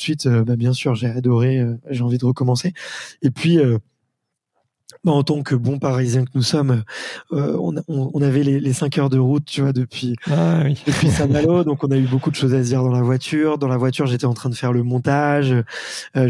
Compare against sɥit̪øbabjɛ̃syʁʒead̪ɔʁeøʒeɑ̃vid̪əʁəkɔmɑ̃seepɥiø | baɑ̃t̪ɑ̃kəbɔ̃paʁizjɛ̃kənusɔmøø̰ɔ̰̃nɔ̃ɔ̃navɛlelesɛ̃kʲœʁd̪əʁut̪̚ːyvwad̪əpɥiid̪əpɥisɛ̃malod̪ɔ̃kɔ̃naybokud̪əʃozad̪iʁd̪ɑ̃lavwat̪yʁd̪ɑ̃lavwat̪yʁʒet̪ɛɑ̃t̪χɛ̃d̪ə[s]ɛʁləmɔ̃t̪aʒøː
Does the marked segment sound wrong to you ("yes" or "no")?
yes